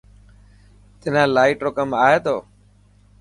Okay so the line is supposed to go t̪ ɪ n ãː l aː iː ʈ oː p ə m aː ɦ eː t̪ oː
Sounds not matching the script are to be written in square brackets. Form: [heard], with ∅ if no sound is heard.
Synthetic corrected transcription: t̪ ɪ n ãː l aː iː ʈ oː [k] ə m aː ɦ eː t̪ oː